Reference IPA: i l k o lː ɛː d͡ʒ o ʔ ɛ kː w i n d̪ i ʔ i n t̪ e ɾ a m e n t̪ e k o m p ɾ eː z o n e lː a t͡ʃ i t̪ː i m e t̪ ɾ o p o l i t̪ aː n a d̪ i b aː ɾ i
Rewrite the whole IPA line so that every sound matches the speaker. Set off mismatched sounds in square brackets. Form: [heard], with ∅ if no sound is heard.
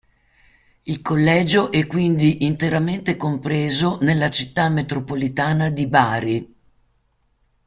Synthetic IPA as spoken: i l k o lː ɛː d͡ʒ o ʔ ɛ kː w i n d̪ i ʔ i n t̪ e ɾ a m e n t̪ e k o m p ɾ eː z o n e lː a t͡ʃ i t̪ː [a] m e t̪ ɾ o p o l i t̪ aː n a d̪ i b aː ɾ i